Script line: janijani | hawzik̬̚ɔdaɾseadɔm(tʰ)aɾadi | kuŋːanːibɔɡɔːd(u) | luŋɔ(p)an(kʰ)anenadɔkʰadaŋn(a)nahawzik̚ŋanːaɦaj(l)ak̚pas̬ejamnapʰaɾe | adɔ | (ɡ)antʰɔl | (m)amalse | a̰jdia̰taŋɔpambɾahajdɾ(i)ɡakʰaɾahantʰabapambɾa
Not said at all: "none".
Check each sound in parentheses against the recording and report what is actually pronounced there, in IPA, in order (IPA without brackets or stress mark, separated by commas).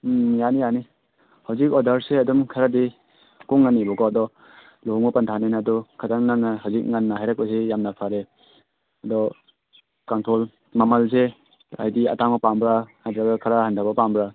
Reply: kʰ, ɔ, p, tʰ, a, ɾ, k, m, a